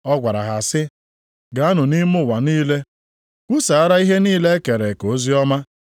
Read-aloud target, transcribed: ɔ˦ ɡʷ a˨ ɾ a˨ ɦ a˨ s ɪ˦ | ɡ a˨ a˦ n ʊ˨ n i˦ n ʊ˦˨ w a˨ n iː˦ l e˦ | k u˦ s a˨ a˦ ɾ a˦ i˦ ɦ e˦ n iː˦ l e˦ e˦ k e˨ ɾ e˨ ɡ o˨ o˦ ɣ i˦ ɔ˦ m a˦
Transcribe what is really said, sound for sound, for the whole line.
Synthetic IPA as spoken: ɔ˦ ɡʷ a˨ ɾ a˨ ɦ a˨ s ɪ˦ | ɡ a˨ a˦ n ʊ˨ n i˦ m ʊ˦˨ w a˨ n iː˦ l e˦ | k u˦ s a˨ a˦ ɾ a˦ i˦ ɦ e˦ n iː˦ l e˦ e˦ k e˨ ɾ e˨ k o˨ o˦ z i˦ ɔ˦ m a˦

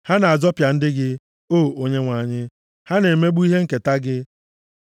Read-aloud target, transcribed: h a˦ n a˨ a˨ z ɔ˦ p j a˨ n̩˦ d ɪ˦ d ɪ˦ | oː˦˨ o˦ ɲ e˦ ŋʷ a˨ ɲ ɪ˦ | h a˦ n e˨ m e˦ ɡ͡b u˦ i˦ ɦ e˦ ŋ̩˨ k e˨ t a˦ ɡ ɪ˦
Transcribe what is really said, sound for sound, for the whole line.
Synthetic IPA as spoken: h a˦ n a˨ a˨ z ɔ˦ p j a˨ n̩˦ d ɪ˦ ɡ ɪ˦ | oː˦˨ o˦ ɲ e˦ ŋʷ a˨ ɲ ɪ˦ | h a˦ n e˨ m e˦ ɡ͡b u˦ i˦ ɦ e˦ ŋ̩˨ k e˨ t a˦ ɡ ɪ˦

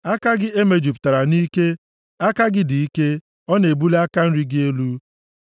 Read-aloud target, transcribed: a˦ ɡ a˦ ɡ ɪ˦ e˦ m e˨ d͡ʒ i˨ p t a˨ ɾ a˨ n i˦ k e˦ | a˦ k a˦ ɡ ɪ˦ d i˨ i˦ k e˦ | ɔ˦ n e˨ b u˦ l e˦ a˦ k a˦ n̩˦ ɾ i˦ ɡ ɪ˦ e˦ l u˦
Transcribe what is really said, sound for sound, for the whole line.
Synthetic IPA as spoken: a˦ k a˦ ɡ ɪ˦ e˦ m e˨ d͡ʒ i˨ p t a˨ ɾ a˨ n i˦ k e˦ | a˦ k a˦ ɡ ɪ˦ d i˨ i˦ k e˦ | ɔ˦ n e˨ b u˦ l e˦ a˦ k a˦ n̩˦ ɾ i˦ ɡ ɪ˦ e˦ l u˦

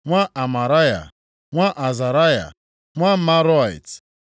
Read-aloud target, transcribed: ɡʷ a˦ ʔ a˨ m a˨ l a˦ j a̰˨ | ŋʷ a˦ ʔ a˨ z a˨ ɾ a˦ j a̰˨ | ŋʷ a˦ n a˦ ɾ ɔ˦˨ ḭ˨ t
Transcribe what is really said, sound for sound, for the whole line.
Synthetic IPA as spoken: ŋʷ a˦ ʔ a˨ m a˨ ɾ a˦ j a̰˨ | ŋʷ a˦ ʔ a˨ z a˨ ɾ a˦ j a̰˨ | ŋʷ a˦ m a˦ ɾ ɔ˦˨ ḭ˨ t

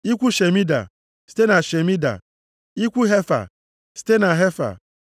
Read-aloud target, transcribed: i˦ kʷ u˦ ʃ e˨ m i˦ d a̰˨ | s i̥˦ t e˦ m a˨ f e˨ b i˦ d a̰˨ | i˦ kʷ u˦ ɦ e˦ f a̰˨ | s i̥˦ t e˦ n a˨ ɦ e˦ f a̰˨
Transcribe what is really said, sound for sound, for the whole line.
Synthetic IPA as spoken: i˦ kʷ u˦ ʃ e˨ m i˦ d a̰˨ | s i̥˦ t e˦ n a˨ ʃ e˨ m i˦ d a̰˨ | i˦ kʷ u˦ ɦ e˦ f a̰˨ | s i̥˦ t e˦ n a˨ ɦ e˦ f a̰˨

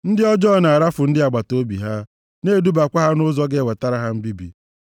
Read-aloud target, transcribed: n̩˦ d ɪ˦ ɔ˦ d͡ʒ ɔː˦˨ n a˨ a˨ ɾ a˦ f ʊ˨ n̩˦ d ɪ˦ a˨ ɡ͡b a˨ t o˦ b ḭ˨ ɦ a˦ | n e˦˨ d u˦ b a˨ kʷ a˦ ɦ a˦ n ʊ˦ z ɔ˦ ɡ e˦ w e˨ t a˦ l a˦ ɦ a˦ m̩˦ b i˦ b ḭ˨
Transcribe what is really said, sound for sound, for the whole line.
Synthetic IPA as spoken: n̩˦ d ɪ˦ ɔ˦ d͡ʒ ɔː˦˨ n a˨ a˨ ɾ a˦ f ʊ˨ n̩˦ d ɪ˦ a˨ ɡ͡b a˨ t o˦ b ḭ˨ ɦ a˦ | n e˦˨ d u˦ b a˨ kʷ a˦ ɦ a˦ n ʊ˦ z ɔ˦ ɡ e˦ w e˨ t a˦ ɾ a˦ ɦ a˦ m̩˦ b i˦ b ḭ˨

